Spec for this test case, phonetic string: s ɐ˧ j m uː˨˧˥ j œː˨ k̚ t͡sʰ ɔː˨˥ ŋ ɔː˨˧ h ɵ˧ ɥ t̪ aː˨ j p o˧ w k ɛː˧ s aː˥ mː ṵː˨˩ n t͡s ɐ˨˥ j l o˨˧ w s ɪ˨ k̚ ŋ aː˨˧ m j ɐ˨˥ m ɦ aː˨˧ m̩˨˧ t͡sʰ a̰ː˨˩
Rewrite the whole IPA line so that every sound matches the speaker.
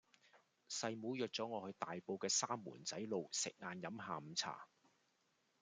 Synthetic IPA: s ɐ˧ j m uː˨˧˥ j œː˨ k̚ t͡s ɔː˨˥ ŋ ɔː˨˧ h ɵ˧ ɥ t̪ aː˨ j p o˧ w k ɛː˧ s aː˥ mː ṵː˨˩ n t͡s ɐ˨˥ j l o˨˧ w s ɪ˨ k̚ ŋ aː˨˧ n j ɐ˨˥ m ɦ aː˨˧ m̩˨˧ t͡sʰ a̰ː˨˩